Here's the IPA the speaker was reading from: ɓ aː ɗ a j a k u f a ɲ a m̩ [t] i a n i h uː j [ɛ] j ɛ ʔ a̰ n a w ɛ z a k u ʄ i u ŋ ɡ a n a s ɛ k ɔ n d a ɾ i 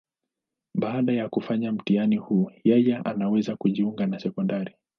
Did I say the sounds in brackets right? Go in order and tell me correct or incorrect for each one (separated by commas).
correct, correct